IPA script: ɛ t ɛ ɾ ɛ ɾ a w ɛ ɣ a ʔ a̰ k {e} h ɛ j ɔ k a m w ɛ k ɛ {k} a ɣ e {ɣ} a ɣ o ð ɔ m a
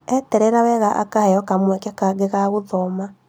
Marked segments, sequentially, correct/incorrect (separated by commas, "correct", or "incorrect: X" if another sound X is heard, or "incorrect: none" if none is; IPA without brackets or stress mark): incorrect: a, correct, correct